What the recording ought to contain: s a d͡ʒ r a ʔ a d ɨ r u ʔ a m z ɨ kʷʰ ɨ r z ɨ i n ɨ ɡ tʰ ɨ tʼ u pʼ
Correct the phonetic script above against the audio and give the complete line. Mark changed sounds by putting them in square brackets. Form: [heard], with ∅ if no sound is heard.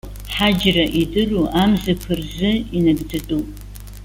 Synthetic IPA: [ħ] a d͡ʒ r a ʔ [i] d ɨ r u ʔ a m z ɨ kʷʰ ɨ r z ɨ i n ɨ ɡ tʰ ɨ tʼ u pʼ